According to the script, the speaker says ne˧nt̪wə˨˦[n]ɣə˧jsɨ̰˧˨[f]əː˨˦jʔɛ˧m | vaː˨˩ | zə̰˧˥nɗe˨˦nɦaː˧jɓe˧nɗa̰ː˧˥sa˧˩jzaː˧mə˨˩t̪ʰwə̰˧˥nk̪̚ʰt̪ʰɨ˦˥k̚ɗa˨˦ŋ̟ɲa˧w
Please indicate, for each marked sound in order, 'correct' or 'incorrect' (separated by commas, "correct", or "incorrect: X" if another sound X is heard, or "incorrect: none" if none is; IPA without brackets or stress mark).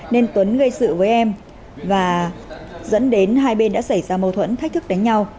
correct, incorrect: v